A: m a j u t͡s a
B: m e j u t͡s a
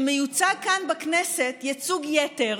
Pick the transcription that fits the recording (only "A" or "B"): B